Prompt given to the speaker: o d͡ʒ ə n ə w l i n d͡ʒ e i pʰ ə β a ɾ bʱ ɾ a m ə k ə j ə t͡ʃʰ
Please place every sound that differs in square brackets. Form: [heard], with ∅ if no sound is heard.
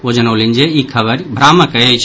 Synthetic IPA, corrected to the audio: o d͡ʒ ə n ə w l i n d͡ʒ e i [kʰ] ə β [ə] ɾ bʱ ɾ a m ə k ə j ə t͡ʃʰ